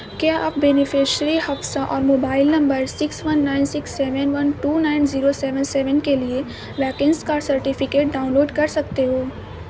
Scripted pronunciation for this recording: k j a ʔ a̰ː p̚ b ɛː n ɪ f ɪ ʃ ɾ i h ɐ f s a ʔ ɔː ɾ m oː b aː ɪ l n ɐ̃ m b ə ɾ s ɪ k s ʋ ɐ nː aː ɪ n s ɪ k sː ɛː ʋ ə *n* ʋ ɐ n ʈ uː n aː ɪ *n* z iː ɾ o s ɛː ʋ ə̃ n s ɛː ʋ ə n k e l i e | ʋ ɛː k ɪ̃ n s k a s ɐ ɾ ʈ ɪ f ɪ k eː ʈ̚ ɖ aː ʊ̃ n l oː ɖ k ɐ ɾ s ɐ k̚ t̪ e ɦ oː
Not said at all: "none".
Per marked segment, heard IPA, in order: n, n

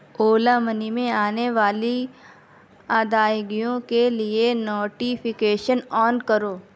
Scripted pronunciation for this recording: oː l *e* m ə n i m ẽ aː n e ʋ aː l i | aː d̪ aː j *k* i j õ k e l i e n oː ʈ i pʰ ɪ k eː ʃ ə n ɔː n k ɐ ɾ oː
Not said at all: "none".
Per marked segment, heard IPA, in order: a, ɡ

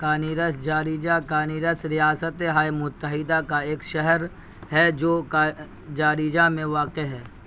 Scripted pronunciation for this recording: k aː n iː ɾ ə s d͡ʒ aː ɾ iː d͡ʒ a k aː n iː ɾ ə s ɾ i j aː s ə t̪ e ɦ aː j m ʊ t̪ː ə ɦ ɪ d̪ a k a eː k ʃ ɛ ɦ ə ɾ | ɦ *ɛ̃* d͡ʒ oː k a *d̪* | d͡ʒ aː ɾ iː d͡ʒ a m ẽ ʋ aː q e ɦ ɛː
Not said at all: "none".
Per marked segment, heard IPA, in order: ɛ, none

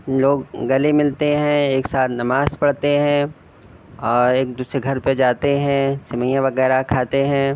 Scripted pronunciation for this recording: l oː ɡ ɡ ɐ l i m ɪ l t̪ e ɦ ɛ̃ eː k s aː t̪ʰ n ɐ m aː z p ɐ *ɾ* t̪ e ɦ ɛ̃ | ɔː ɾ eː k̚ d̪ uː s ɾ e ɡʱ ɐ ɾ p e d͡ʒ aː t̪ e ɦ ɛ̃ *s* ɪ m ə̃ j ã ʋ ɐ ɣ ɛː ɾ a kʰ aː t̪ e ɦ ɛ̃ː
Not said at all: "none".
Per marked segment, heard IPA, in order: ɽ, s

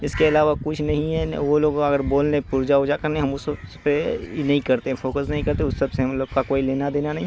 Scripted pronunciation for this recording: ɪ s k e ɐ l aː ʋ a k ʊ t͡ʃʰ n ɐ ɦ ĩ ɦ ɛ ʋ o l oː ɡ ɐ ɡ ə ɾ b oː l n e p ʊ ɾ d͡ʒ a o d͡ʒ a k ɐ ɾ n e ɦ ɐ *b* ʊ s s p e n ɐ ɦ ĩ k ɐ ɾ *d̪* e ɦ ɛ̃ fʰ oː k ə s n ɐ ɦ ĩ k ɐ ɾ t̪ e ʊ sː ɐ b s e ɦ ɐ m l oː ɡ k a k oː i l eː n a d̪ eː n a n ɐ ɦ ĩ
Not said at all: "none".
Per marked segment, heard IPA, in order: m, t̪

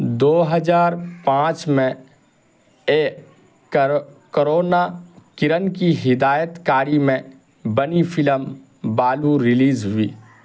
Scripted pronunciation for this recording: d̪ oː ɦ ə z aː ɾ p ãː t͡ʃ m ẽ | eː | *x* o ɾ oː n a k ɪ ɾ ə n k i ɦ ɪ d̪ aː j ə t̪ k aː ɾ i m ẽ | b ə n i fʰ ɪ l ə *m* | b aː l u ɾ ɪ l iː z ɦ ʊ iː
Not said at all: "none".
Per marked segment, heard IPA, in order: k, m

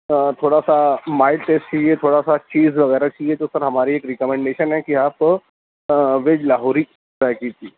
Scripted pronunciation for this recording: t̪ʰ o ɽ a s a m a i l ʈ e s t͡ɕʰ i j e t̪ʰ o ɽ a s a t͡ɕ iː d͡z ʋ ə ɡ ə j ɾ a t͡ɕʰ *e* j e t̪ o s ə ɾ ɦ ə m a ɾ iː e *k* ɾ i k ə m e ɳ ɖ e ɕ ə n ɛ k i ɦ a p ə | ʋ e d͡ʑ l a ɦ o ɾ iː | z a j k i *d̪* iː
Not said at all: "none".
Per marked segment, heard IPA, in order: i, k, t̪

